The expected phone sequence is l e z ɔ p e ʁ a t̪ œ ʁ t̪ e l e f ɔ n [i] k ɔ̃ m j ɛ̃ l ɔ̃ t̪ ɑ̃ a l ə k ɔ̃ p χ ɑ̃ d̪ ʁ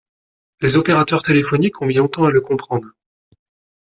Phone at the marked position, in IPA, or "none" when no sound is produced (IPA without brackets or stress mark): i